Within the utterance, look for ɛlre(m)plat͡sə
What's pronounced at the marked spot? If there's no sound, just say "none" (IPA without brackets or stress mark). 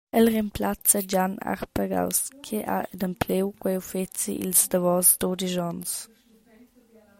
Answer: m